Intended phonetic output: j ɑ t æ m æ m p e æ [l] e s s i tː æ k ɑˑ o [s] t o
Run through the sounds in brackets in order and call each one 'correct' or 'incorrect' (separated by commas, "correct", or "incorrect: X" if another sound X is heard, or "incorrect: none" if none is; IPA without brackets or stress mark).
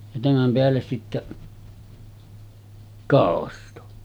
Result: incorrect: lː, correct